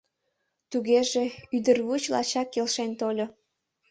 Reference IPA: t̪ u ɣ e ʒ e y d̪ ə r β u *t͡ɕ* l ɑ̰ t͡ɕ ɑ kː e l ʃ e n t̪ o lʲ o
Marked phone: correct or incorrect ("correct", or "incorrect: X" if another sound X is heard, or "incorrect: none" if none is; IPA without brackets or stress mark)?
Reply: correct